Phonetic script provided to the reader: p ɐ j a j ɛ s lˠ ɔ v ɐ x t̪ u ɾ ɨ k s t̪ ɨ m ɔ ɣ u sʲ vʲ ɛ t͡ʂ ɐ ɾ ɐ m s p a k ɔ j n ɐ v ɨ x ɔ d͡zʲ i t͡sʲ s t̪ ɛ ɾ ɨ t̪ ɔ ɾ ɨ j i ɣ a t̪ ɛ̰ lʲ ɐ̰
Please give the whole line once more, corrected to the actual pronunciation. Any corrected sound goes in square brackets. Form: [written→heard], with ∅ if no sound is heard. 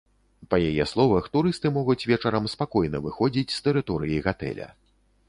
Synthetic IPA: p ɐ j a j ɛ s lˠ ɔ v ɐ x t̪ u ɾ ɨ [k→∅] s t̪ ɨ m ɔ ɣ u [sʲ→t͡sʲ] vʲ ɛ t͡ʂ ɐ ɾ ɐ m s p a k ɔ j n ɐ v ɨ x ɔ d͡zʲ i t͡sʲ s t̪ ɛ ɾ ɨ t̪ ɔ ɾ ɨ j i ɣ a t̪ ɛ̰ lʲ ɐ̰